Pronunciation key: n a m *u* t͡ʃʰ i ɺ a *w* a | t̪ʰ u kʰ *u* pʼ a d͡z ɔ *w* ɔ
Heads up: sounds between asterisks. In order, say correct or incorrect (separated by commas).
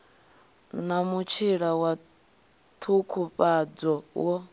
correct, correct, correct, correct